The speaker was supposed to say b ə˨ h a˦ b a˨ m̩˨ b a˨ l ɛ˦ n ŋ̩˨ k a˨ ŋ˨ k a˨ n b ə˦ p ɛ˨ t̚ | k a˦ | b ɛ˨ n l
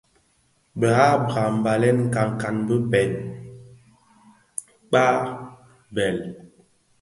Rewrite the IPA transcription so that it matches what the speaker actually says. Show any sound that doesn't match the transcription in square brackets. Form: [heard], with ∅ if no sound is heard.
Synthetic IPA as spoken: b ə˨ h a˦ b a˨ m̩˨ b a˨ l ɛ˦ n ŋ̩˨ k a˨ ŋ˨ k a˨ n b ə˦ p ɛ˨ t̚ | [k͡p] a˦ | b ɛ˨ [∅] l